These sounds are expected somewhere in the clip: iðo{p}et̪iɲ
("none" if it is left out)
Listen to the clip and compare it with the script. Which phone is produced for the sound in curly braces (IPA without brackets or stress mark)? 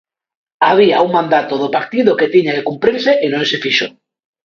k